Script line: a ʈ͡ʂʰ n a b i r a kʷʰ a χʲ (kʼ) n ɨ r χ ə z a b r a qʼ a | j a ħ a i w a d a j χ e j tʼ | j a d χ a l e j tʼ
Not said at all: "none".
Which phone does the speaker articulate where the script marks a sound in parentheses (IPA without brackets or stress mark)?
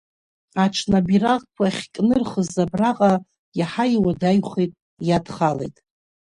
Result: kʼ